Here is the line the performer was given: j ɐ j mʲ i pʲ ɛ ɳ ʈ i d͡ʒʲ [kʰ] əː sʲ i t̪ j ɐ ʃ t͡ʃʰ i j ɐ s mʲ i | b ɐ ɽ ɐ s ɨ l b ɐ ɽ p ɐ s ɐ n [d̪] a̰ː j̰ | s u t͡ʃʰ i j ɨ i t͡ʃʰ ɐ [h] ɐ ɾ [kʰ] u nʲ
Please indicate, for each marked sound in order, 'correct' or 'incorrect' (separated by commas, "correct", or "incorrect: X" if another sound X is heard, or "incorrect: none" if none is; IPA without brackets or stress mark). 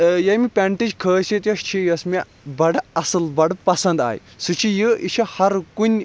correct, correct, correct, incorrect: k